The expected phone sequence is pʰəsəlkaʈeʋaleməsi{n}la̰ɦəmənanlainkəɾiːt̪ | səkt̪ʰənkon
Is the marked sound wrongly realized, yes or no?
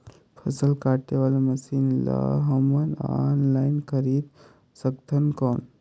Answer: no